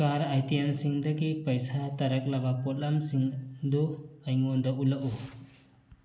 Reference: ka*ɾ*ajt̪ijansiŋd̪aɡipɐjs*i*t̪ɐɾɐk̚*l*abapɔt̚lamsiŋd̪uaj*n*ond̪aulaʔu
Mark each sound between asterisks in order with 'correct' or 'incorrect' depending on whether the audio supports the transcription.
correct, incorrect: a, correct, incorrect: ŋ

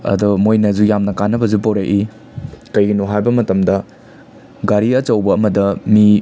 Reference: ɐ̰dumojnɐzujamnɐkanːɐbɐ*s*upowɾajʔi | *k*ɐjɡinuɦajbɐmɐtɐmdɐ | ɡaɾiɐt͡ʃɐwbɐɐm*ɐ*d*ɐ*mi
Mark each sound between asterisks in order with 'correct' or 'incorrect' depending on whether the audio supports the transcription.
incorrect: z, correct, correct, correct

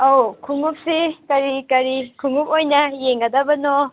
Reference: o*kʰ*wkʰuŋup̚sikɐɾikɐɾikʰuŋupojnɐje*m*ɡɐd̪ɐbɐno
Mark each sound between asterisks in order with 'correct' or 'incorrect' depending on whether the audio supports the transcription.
incorrect: none, incorrect: ŋ

